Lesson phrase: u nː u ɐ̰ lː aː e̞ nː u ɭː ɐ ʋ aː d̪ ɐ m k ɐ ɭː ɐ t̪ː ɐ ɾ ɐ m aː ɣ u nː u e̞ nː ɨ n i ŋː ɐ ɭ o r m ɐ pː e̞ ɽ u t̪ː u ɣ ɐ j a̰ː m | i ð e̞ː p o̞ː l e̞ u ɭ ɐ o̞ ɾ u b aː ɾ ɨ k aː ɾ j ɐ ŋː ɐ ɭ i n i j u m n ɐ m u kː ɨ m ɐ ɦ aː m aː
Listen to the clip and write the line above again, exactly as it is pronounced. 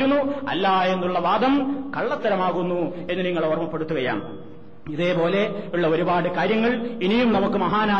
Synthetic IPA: u nː u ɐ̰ lː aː e̞ nː u ɭː ɐ ʋ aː d̪ ɐ m k ɐ ɭː ɐ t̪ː ɐ ɾ ɐ m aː ɣ u nː u e̞ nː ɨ n i ŋː ɐ ɭ o r m ɐ pː e̞ ɽ u t̪ː u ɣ ɐ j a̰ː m | i ð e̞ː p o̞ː l e̞ u ɭː ɐ o̞ ɾ u b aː ɽ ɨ k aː ɾ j ɐ ŋː ɐ ɭ i n i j u m n ɐ m u kː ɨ m ɐ ɦ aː n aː